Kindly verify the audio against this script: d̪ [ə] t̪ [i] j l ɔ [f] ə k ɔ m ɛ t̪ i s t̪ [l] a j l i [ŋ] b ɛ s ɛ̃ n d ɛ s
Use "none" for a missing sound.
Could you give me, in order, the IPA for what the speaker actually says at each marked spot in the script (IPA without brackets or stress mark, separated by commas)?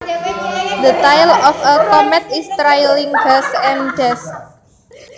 ə, a, f, ɾ, ŋ